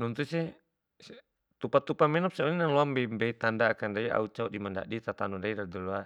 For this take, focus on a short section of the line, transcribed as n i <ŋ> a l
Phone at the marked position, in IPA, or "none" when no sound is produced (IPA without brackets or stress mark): n